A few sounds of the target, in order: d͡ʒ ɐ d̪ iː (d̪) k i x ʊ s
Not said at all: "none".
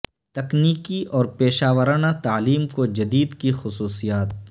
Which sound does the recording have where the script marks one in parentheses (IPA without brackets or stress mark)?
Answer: d̪